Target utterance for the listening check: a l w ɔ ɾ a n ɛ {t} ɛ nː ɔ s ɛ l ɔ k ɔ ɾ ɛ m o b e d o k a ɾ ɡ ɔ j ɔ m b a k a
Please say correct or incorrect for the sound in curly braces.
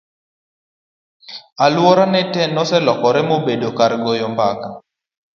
correct